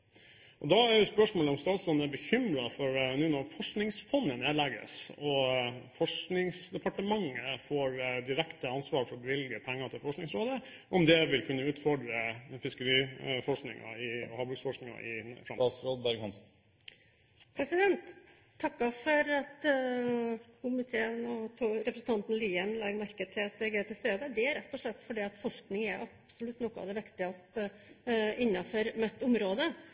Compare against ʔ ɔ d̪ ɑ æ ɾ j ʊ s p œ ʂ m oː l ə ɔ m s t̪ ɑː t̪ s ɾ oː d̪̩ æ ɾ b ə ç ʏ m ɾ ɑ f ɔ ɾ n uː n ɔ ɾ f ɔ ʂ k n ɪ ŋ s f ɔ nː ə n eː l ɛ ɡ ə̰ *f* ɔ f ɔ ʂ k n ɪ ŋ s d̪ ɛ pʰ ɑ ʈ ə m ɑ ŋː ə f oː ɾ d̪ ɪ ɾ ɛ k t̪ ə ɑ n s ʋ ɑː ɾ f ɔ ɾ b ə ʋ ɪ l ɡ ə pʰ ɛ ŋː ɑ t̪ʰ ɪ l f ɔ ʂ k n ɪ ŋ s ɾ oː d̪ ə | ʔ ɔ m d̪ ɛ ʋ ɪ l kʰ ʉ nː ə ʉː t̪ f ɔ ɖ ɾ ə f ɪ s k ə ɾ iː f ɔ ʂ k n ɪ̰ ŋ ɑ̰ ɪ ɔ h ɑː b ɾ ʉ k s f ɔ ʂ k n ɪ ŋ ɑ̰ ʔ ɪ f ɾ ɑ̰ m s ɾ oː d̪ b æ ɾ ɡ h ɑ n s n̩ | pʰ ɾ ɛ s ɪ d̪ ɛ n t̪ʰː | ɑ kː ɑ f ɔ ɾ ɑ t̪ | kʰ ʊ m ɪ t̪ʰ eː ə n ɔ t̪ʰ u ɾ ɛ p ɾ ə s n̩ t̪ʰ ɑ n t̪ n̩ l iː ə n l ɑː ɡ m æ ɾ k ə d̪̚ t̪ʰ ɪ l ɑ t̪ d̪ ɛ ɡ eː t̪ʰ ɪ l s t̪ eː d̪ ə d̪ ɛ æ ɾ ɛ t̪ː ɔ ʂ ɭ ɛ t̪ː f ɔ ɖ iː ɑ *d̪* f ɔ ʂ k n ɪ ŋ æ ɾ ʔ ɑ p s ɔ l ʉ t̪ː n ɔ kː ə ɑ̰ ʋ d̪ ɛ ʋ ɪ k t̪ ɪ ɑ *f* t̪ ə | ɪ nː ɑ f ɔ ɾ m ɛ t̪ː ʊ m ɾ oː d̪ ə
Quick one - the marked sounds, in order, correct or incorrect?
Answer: incorrect, incorrect, incorrect

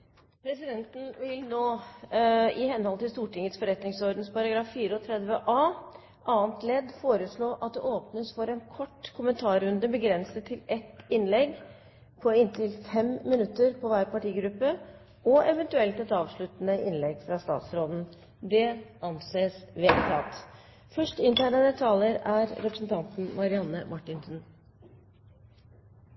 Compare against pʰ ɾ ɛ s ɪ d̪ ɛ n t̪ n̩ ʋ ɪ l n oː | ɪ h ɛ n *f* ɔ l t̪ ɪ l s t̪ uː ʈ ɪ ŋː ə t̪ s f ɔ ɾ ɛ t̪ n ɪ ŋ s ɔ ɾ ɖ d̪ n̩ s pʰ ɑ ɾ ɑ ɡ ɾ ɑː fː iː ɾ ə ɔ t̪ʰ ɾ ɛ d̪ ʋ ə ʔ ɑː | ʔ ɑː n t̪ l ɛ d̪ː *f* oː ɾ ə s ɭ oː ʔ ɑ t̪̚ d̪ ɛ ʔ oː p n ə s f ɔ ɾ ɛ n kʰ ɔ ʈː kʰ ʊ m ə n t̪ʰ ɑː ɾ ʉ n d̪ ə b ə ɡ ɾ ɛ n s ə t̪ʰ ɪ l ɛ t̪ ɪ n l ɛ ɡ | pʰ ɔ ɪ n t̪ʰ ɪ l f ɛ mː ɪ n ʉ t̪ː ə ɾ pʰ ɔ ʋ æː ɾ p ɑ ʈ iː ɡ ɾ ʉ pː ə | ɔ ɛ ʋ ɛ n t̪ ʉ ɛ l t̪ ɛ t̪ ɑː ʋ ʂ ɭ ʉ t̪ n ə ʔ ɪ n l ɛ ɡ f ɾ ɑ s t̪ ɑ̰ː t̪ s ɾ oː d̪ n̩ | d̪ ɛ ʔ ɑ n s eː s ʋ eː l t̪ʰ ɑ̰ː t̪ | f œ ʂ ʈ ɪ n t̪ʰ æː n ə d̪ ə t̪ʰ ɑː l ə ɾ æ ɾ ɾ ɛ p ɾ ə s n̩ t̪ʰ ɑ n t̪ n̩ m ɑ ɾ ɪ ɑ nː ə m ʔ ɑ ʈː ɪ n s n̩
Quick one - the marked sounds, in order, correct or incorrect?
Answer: incorrect, correct

